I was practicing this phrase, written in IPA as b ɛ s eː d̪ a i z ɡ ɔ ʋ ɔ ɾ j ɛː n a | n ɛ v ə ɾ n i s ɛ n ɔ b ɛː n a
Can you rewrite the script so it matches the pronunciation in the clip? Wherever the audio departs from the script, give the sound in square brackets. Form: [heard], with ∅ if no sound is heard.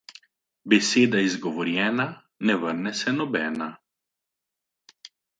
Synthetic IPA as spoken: b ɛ s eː d̪ a i z ɡ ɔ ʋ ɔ ɾ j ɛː n a | n ɛ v ə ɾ n [ɛ] s ɛ n ɔ b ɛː n a